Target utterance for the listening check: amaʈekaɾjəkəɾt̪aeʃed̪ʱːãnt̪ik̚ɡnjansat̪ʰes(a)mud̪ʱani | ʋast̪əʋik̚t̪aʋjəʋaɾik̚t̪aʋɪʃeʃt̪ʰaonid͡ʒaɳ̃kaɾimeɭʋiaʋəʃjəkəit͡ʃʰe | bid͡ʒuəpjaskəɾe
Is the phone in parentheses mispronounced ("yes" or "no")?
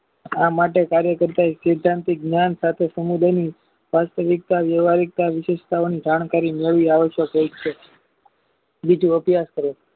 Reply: yes